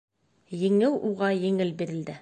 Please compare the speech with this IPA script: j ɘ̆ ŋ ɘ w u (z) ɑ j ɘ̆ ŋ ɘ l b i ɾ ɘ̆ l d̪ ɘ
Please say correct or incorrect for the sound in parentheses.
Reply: incorrect